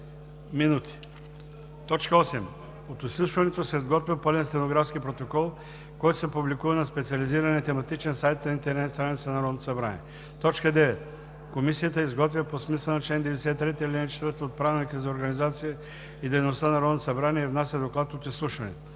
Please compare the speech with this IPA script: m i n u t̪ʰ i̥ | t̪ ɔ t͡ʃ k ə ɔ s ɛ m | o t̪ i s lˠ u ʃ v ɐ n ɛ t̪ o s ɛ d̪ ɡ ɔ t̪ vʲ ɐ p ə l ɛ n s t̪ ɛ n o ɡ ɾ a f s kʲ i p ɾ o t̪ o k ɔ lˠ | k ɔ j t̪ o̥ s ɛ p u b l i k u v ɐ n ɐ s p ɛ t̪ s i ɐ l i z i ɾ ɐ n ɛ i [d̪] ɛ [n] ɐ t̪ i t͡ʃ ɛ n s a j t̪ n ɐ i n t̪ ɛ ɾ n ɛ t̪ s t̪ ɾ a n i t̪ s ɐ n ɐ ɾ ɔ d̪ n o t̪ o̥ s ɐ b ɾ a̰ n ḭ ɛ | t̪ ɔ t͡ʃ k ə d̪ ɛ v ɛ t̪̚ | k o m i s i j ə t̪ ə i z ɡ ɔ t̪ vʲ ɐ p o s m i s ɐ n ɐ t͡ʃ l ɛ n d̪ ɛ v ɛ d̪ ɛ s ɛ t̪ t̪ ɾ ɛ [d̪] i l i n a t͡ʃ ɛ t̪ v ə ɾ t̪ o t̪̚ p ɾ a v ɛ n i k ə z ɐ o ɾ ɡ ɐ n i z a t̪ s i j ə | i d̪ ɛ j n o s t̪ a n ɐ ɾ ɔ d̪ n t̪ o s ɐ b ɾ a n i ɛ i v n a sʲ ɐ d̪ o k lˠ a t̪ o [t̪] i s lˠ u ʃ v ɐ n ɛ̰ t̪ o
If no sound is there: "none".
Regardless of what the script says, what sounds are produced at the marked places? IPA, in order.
t̪, m, t̪, t̪

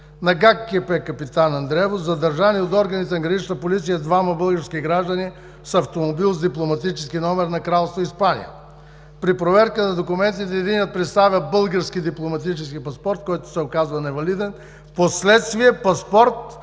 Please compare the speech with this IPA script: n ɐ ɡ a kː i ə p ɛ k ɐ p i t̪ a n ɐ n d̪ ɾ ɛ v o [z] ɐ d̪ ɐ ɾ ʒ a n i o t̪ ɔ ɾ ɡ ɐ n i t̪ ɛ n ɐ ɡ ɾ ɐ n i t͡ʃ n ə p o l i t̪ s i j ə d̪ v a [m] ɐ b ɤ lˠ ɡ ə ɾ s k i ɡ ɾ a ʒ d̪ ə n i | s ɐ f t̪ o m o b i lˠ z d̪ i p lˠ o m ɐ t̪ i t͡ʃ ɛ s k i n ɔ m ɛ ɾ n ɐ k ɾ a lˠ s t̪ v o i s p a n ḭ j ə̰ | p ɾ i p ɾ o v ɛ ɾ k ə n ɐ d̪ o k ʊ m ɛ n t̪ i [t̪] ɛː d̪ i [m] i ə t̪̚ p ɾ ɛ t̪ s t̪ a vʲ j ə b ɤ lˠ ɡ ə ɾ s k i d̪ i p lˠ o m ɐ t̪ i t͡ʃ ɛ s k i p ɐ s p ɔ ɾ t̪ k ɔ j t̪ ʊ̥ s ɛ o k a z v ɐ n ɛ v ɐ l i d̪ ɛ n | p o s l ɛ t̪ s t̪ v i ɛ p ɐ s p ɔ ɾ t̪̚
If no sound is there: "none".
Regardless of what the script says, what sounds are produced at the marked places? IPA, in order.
z, m, t̪, n

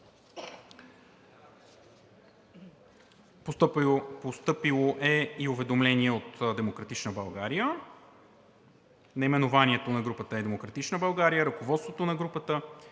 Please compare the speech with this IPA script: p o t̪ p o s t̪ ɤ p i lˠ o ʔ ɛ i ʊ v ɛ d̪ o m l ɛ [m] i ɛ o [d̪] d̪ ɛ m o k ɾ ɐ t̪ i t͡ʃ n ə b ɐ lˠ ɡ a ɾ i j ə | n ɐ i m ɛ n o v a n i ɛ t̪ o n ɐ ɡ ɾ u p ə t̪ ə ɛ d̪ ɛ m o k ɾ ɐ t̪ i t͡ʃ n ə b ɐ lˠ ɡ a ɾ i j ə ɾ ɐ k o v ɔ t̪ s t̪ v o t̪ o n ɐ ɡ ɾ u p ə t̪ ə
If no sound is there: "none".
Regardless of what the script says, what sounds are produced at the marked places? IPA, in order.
n, t̪

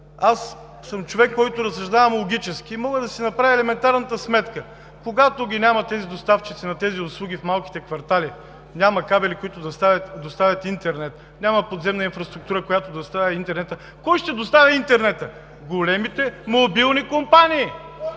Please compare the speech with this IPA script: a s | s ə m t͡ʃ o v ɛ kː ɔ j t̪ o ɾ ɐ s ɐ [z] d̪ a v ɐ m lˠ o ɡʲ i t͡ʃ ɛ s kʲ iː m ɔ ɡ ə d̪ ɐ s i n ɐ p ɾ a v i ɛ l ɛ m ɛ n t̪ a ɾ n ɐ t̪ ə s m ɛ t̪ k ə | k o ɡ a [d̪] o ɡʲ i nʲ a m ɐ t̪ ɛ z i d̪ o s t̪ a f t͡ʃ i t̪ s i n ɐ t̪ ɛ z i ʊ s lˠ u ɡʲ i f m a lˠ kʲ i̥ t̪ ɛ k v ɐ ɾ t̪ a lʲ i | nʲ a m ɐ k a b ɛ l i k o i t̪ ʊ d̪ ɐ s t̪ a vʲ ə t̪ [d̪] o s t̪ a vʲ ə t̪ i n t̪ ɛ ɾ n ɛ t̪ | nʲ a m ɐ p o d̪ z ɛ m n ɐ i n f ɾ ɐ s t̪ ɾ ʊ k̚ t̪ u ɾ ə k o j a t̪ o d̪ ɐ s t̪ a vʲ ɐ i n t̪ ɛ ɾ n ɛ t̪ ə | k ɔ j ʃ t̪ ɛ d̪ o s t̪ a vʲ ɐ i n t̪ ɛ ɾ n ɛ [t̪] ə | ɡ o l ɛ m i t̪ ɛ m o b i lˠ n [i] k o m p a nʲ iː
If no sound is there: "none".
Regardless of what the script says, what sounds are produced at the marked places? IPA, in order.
ʒ, t̪, d̪, t̪, i

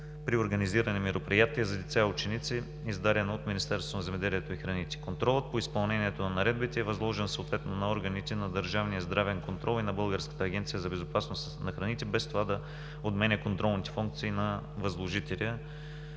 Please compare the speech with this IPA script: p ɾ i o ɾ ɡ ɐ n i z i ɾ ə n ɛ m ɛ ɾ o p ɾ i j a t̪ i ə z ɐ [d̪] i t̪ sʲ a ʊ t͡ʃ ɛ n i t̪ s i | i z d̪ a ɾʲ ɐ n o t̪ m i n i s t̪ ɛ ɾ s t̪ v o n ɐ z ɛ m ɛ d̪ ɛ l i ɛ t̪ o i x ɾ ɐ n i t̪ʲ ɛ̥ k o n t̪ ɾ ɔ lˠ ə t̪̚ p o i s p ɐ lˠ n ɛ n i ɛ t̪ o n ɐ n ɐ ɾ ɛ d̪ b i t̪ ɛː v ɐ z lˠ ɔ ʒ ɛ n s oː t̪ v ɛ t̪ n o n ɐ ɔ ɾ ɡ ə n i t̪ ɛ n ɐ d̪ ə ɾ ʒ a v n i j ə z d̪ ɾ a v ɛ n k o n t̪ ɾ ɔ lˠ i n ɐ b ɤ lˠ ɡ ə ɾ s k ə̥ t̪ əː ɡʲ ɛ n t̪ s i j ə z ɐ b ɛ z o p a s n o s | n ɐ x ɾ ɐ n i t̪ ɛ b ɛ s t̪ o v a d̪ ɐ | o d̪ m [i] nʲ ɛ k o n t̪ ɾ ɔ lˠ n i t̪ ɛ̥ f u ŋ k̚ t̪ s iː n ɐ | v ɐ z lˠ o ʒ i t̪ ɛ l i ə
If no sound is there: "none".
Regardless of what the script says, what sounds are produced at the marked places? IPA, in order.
d̪, ɛ

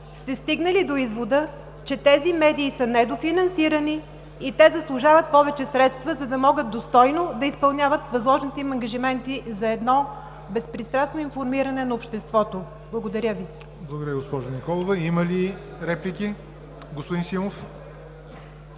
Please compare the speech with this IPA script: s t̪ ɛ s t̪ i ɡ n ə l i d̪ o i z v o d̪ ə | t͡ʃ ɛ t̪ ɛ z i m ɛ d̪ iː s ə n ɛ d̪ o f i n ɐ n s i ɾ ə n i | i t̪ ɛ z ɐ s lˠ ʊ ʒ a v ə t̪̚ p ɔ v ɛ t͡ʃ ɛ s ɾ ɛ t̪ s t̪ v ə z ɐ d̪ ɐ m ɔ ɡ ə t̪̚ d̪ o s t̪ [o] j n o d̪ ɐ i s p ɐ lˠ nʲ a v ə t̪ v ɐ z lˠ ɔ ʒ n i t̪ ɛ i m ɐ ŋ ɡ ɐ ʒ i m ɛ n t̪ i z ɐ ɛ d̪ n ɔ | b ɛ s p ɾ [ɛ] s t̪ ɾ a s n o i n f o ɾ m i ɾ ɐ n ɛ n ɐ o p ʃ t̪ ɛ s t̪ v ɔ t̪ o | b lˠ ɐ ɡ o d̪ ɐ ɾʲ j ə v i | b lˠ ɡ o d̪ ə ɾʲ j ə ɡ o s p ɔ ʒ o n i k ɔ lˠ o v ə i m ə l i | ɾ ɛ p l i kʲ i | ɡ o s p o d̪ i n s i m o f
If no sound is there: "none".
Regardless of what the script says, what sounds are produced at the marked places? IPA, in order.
ɔ, i

